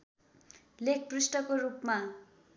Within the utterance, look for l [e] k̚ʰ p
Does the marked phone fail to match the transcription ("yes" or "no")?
no